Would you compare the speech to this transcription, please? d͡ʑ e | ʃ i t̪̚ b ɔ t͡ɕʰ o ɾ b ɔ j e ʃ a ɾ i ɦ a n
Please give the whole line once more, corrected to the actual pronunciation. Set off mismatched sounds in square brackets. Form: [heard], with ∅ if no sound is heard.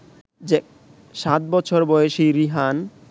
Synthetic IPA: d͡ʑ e | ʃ [a] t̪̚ b ɔ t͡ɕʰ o ɾ b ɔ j e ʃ [i] ɾ i ɦ a n